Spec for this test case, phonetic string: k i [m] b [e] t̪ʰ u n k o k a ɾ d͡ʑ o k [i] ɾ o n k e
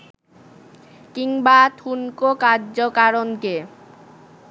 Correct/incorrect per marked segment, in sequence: incorrect, incorrect, incorrect

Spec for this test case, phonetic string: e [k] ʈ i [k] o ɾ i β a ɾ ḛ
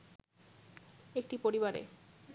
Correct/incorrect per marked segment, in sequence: correct, incorrect

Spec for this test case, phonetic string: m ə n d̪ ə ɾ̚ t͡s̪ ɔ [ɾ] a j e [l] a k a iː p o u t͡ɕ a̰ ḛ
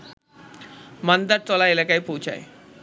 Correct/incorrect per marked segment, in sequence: incorrect, correct

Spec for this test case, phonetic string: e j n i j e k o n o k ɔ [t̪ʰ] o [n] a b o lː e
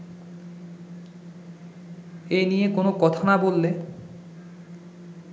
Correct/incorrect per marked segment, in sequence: correct, correct

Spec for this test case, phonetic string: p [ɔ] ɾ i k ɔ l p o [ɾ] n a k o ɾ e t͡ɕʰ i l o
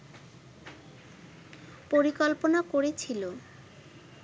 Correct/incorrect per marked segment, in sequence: incorrect, incorrect

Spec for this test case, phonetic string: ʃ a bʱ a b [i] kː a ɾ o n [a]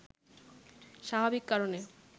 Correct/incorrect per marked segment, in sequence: correct, incorrect

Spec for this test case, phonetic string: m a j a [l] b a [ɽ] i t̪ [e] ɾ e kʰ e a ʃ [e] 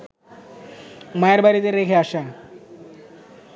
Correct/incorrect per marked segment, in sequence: incorrect, incorrect, correct, incorrect

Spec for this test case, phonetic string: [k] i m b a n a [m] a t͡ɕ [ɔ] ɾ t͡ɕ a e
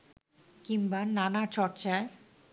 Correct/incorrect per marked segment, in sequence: correct, incorrect, correct

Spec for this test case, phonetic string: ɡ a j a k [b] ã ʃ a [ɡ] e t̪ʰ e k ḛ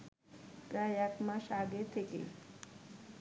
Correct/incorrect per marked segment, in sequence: incorrect, correct

